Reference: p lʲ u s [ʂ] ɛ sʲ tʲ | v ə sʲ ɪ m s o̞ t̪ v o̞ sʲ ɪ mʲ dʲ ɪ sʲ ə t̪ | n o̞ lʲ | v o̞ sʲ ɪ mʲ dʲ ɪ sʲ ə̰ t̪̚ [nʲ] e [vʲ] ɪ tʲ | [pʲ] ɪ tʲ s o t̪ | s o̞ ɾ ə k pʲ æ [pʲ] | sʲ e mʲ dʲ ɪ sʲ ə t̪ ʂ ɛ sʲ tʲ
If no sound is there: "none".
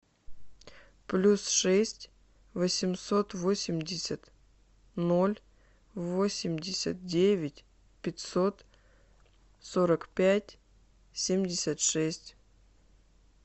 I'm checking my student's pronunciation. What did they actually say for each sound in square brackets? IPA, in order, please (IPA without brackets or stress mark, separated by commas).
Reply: ʂ, dʲ, vʲ, pʲ, tʲ